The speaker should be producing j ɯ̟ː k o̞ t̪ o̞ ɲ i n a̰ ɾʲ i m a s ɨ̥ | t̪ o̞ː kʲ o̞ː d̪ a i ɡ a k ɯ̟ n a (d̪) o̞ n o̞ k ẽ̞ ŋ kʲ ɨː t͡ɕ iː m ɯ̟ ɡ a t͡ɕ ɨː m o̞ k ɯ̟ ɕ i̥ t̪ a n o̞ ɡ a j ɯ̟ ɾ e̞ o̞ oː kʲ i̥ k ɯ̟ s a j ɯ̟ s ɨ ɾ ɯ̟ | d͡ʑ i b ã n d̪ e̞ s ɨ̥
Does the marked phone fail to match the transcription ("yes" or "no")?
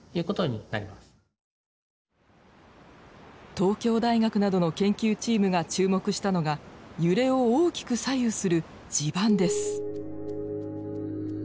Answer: no